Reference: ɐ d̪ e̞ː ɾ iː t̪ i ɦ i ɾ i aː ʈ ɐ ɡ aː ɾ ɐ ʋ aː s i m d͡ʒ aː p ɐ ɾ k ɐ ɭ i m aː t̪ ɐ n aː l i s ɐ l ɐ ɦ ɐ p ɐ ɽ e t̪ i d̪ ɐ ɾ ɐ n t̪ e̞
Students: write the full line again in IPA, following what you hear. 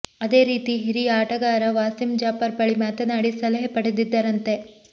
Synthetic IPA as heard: ɐ d̪ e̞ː ɾ iː t̪ i ɦ i ɾ i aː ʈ ɐ ɡ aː ɾ ɐ ʋ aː s i m d͡ʒ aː p ɐ ɾ p ɐ ɭ i m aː t̪ ɐ n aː ɽ i s ɐ l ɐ ɦ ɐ p ɐ ɽ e d̪ i d̪ː ɐ ɾ ɐ n t̪ e̞